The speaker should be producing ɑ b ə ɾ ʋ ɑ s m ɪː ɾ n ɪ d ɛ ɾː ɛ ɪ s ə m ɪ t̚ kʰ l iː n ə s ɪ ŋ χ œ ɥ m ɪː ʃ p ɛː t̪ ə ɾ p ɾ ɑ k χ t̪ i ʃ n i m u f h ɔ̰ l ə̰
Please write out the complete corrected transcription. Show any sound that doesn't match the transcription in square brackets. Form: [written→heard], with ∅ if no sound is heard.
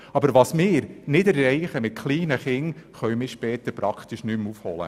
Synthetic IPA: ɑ b ə ɾ ʋ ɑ s m ɪː ɾ n ɪ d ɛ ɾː ɛ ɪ [s→χ] ə m ɪ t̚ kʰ l iː n ə [s→χ] ɪ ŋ χ œ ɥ m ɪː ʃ p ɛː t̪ ə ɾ p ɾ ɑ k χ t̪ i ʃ n [i→y] m u f h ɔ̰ l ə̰